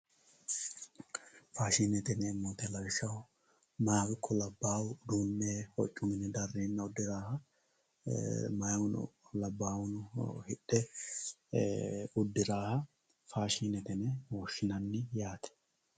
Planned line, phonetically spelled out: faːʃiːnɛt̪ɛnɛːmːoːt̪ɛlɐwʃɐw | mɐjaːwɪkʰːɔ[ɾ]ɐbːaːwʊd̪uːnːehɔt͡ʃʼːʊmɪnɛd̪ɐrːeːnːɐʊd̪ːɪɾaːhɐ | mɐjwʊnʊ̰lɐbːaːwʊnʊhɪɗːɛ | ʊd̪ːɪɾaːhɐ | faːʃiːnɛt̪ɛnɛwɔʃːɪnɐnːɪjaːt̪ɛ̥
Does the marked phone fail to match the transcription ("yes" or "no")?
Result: yes